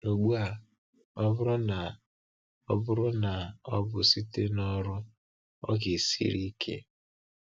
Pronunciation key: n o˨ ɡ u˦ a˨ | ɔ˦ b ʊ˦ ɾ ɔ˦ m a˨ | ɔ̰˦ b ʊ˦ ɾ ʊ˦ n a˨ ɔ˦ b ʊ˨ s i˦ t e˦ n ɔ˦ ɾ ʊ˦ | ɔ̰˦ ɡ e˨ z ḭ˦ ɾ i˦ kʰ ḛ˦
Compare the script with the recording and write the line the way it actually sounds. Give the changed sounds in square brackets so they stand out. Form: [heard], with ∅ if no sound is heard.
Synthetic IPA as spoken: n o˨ [ɡ͡b] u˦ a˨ | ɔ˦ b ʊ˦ ɾ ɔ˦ [n] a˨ | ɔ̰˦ b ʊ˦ ɾ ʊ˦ n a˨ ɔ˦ b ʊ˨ s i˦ t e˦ n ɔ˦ ɾ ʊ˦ | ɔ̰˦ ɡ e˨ [s] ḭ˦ ɾ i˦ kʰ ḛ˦